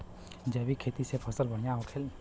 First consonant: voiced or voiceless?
voiced